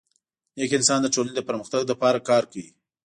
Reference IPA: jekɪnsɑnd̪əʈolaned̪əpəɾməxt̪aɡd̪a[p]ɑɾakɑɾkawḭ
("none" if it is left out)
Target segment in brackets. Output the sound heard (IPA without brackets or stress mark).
p